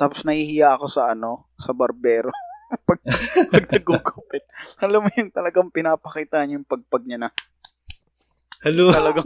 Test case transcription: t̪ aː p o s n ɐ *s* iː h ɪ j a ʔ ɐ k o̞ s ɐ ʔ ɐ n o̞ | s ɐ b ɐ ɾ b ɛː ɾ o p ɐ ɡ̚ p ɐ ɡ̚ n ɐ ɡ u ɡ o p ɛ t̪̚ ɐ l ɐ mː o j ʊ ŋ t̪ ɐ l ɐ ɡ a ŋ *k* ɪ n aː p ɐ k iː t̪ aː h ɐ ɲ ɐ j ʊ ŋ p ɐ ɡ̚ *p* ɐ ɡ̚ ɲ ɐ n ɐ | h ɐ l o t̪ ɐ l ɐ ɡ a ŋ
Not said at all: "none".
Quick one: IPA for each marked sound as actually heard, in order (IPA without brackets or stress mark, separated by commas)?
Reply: h, p, p